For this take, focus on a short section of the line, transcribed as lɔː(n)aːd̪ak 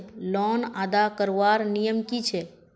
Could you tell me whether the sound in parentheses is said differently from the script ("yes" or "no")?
no